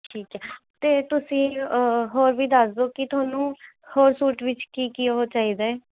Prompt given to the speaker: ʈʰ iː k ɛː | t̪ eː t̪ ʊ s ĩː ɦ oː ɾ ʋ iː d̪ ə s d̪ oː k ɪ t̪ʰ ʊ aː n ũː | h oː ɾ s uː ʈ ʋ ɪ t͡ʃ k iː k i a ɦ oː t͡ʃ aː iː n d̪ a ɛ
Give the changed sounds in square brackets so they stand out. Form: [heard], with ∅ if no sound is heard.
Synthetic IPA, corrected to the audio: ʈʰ iː k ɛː | t̪ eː t̪ ʊ s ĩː ɦ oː ɾ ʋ iː d̪ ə s d̪ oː k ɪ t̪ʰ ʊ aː n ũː | h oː ɾ s uː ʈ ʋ ɪ t͡ʃ k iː k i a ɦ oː t͡ʃ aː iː [∅] d̪ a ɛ